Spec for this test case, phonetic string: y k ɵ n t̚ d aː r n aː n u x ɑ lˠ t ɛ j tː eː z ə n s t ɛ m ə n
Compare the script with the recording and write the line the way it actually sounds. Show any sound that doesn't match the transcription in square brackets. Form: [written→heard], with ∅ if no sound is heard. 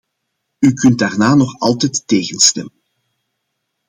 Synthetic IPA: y k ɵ n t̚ d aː r n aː n [u→ɔ] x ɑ lˠ t ɛ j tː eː [z→ɣ] ə n s t ɛ m ə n